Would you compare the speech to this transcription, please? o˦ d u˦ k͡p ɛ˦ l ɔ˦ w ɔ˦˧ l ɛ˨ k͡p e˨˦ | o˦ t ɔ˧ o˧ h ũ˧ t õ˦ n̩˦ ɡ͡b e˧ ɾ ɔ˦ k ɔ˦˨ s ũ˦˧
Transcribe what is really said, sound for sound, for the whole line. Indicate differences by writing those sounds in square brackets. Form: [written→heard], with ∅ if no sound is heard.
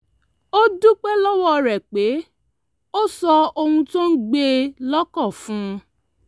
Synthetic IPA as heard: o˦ d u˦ k͡p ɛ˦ l ɔ˦ w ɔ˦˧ [l→ɾ] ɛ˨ k͡p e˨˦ | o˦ [t→s] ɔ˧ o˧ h ũ˧ t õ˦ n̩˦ ɡ͡b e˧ [ɾ→l] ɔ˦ k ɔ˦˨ [s→f] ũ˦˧

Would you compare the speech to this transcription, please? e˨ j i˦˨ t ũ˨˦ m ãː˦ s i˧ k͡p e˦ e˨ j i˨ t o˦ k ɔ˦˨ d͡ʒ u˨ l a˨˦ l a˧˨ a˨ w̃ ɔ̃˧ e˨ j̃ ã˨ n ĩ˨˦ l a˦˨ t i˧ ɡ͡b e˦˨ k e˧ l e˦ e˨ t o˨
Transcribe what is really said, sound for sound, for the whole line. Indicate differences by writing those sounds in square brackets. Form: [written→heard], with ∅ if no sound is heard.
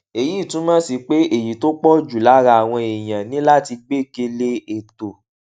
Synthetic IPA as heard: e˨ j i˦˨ t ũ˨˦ m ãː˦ s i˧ k͡p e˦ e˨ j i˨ t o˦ [k→k͡p] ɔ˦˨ d͡ʒ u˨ l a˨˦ [l→ɾ] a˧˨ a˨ w̃ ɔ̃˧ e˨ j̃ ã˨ n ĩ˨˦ l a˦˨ t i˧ ɡ͡b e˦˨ k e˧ l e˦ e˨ t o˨

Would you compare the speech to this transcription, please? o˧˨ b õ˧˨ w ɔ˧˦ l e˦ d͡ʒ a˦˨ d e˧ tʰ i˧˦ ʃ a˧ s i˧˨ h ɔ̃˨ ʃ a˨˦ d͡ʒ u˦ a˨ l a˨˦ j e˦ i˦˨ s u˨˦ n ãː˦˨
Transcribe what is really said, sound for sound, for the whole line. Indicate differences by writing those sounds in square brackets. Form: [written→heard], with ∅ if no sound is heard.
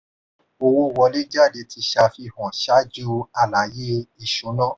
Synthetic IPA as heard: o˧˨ [b→w] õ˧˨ w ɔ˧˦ l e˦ d͡ʒ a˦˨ d e˧ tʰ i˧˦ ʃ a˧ [s→f] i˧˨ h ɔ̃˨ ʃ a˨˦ d͡ʒ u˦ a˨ l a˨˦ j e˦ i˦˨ [s→ʃ] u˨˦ n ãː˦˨

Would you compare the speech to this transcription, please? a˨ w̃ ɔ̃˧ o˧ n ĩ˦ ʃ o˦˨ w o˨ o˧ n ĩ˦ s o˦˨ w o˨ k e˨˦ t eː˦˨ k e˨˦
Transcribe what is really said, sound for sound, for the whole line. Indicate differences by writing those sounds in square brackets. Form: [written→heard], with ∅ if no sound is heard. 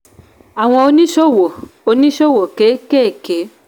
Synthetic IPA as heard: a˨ w̃ ɔ̃˧ o˧ n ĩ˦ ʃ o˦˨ w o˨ o˧ n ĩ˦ [s→ʃ] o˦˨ w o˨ k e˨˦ [t→k] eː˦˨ k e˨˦

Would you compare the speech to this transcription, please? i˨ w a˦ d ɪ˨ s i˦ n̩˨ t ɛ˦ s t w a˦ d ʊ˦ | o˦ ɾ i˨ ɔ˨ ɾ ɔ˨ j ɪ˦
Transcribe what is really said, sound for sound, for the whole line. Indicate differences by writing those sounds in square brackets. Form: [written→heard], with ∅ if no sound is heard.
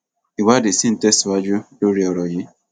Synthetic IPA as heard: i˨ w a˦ d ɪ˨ s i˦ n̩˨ t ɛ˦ s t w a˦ [d→d͡ʒ] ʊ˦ | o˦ ɾ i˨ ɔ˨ ɾ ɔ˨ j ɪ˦

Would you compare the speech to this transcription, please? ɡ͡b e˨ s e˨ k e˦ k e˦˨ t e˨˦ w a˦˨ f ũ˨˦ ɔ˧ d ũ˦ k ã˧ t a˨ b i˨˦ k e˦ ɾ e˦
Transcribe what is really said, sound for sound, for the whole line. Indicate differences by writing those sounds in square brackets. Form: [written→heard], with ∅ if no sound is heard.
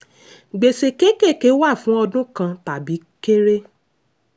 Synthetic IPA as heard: ɡ͡b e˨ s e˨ k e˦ k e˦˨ [t→k] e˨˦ w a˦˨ f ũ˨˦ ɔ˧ d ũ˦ k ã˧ t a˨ b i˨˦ k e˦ ɾ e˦

